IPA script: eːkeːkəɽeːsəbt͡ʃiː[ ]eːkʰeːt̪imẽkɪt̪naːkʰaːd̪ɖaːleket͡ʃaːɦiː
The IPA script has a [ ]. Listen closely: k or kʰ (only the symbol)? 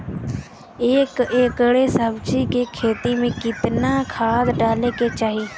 k